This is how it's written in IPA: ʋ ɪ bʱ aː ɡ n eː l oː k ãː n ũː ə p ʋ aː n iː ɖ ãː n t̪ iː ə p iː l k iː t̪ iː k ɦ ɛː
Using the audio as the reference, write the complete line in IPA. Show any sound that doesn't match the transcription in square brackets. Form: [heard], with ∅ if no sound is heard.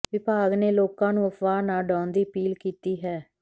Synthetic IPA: ʋ ɪ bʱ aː ɡ n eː l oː k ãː n ũː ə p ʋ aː n [aː] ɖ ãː n [d̪] iː ə p iː l k iː t̪ iː [∅] ɦ ɛː

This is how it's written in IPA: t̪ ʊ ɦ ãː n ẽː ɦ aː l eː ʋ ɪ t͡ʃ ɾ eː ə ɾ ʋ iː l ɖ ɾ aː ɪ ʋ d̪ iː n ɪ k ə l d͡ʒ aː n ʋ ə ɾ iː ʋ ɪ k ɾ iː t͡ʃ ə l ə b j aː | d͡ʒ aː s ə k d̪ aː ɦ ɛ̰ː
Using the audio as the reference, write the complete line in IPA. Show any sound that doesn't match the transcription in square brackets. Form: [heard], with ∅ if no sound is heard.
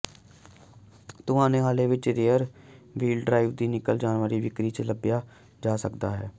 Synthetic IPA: t̪ ʊ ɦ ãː n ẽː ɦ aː l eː ʋ ɪ t͡ʃ ɾ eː ə ɾ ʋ iː l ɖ ɾ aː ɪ ʋ d̪ iː n ɪ k ə l d͡ʒ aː n ʋ ə ɾ iː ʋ ɪ k ɾ iː t͡ʃ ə l ə b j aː | d͡ʒ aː s ə k d̪ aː ɦ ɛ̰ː

